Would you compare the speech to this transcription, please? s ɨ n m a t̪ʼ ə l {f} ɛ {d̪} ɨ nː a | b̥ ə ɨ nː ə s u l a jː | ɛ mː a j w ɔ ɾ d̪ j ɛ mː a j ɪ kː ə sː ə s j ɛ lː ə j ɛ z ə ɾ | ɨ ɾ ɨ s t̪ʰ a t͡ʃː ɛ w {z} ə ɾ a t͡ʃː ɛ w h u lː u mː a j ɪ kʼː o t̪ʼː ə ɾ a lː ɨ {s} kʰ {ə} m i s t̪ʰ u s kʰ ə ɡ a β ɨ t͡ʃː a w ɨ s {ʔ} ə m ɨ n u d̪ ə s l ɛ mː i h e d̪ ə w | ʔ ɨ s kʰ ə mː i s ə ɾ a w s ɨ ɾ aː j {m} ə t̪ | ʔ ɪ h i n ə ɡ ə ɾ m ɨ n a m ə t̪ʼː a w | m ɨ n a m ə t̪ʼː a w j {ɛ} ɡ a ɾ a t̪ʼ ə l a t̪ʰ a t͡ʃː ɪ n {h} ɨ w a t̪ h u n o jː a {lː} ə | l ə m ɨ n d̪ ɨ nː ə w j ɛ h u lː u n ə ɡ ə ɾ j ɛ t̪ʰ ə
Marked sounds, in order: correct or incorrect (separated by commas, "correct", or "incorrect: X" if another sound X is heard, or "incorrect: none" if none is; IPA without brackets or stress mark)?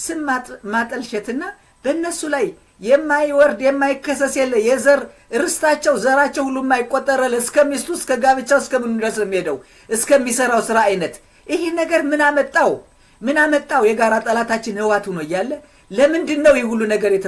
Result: incorrect: ʃ, incorrect: t̪, correct, correct, correct, incorrect: k, incorrect: n, correct, correct, correct